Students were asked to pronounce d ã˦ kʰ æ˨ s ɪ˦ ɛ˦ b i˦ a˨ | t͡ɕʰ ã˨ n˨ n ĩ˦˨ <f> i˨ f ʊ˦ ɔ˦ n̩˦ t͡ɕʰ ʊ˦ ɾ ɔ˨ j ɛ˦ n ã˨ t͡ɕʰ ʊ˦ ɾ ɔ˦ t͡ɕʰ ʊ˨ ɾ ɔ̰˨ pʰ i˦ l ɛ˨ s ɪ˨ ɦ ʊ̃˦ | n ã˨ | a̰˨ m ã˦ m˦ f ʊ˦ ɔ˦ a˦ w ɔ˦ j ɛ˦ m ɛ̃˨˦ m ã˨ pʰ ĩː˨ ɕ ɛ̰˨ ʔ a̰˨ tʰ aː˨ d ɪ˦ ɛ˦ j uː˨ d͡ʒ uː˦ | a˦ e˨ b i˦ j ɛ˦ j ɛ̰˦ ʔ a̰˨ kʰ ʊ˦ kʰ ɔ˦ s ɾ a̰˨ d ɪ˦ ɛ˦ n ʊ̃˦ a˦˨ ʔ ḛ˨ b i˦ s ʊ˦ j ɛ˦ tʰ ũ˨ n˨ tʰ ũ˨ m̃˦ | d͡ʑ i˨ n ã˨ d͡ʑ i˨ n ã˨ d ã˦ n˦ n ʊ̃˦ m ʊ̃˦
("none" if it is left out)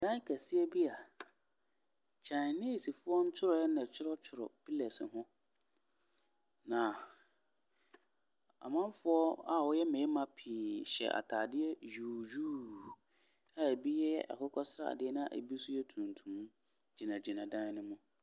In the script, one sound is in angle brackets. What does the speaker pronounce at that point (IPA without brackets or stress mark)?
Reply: s